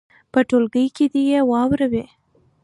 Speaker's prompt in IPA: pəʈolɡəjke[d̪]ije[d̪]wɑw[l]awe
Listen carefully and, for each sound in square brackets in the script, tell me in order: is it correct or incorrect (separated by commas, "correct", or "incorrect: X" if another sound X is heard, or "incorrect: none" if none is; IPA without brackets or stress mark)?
correct, incorrect: none, incorrect: ɾ